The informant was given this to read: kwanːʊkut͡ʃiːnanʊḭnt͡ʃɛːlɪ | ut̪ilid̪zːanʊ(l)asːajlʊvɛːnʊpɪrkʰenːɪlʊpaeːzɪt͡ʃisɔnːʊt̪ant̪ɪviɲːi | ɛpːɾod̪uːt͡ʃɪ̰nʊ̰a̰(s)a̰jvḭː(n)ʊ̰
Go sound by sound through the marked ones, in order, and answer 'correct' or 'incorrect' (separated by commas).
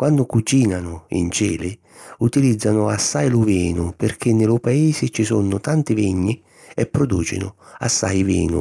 incorrect, incorrect, correct